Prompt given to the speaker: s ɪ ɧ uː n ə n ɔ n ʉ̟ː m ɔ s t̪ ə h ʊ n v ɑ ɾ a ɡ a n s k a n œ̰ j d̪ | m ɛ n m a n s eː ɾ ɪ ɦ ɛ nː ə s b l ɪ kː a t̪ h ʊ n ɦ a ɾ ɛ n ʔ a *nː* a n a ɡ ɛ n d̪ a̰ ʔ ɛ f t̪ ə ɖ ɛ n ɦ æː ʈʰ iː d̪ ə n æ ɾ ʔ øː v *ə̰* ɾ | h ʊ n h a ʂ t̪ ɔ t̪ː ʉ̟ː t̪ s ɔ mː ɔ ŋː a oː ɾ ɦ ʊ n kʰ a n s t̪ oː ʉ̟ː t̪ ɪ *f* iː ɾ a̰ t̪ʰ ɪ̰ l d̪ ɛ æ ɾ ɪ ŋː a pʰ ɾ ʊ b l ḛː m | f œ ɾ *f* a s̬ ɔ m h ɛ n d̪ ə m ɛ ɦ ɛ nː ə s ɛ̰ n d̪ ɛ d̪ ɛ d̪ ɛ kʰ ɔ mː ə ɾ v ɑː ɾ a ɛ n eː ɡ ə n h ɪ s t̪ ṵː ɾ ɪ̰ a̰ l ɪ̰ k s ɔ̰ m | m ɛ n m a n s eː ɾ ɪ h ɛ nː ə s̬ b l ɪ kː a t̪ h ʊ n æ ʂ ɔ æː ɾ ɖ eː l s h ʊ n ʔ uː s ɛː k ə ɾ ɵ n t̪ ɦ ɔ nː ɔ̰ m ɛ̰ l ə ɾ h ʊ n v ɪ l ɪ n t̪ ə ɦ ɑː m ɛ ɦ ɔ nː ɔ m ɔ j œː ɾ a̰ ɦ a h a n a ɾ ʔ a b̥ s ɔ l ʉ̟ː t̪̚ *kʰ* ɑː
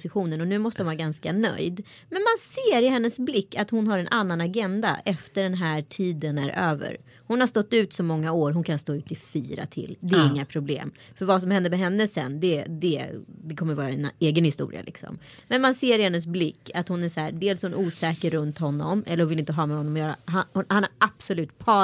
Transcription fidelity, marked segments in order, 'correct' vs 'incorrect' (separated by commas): correct, correct, correct, incorrect, incorrect